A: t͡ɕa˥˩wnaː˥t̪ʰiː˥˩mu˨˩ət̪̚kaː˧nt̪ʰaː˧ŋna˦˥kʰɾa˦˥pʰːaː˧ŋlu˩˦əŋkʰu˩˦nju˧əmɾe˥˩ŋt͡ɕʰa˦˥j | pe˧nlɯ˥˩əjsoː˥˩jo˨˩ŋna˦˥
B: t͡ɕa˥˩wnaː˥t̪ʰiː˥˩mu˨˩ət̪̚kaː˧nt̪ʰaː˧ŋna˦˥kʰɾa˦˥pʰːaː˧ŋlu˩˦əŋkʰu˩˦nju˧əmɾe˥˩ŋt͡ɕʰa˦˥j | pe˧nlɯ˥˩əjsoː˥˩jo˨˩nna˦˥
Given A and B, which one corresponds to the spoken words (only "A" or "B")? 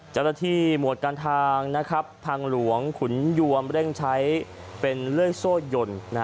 B